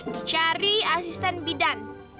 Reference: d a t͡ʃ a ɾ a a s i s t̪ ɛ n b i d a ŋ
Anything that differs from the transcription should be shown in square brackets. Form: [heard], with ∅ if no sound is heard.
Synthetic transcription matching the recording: d [i] t͡ʃ a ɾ [i] a s i s t̪ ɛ n b i d a [n]